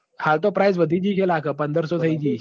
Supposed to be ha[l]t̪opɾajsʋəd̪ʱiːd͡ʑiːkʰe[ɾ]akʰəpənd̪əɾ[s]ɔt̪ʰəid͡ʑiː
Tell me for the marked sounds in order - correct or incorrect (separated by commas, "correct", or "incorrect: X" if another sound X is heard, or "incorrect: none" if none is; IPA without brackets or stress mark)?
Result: correct, incorrect: l, correct